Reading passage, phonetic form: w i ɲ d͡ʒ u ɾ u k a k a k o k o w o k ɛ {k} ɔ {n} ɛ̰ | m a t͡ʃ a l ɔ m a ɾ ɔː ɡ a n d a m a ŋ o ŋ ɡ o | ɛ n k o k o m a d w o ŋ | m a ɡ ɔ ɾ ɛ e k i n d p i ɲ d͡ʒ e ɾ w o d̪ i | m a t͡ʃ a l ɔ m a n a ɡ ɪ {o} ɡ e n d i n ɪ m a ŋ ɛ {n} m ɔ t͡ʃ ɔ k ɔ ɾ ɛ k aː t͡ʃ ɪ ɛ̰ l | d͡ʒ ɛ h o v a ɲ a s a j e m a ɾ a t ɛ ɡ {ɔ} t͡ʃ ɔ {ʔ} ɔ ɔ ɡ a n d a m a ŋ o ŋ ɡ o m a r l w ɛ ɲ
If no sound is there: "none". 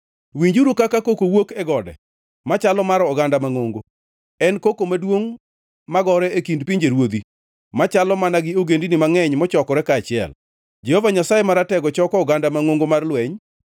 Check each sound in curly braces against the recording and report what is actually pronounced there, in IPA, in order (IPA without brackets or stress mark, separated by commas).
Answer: ɡ, d, o, ɲ, ɔ, k